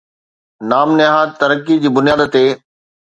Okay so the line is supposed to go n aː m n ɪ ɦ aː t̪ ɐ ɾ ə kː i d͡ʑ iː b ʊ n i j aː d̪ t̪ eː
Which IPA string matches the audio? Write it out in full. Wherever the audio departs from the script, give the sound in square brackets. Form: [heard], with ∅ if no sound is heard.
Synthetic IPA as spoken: n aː m n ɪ ɦ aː t̪ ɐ ɾ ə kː i d͡ʑ iː b ʊ n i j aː d̪ t̪ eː

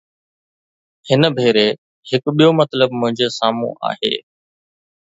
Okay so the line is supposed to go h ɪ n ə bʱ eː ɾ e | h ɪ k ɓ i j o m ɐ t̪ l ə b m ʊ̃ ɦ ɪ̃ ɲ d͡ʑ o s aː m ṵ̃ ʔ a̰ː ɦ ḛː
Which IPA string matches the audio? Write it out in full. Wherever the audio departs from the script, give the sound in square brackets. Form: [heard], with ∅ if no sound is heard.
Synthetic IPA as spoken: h ɪ n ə bʱ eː ɾ e | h ɪ k ɓ i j o m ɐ t̪ l ə b m ʊ̃ ɦ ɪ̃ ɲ d͡ʑ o s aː m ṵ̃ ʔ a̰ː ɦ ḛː

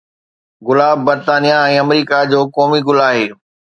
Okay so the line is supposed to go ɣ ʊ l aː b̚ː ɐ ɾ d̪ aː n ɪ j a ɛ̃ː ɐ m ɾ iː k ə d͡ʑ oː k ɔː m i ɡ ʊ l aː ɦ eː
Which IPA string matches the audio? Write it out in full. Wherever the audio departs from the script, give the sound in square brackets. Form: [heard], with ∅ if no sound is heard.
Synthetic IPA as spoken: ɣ ʊ l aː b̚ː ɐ ɾ [t̪] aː n [i] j a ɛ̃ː ɐ m ɾ iː k [a] d͡ʑ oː k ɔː m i ɡ ʊ l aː ɦ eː

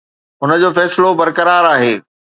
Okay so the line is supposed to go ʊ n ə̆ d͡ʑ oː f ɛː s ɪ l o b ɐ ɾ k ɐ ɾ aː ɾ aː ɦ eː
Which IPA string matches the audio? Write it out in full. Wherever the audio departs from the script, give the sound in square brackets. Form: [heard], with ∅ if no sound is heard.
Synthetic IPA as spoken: ʊ n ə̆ d͡ʑ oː f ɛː s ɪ l o b ɐ ɾ k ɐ ɾ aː ɾ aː ɦ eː

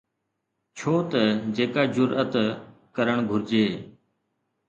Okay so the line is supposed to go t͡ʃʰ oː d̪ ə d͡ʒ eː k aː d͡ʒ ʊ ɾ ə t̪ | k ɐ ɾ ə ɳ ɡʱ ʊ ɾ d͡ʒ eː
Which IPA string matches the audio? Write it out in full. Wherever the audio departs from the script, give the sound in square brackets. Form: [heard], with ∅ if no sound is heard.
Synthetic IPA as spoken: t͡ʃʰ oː [t̪] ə d͡ʒ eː k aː d͡ʒ ʊ ɾ ə t̪ | k [ə] ɾ ə ɳ ɡʱ ʊ ɾ d͡ʒ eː

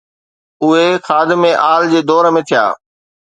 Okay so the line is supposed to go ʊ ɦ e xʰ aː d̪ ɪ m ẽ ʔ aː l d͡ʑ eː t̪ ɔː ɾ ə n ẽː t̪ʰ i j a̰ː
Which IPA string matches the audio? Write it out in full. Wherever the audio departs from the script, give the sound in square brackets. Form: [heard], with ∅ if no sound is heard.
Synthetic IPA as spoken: ʊ ɦ e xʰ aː d̪ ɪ m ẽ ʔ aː l d͡ʑ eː [d̪] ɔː ɾ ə [m] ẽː t̪ʰ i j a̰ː

